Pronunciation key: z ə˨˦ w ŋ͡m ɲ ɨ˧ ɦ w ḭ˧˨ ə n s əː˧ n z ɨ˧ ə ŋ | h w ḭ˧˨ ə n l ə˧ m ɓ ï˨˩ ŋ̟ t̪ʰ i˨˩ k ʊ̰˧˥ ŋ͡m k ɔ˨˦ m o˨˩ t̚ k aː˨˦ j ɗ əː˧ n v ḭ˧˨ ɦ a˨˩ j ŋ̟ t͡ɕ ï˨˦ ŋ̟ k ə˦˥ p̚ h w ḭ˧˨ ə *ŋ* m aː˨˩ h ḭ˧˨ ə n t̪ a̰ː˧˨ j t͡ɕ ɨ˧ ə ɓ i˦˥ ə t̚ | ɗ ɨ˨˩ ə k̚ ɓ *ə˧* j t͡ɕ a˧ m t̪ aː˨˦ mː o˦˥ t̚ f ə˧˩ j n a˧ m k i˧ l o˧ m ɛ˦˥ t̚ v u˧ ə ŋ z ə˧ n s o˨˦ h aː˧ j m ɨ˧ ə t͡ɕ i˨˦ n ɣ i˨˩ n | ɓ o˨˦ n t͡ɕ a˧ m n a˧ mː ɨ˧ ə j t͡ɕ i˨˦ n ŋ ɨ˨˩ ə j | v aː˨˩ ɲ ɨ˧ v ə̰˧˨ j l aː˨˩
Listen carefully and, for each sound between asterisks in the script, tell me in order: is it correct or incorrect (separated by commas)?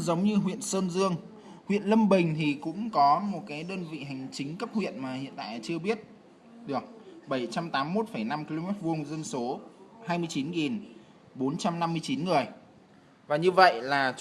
incorrect, incorrect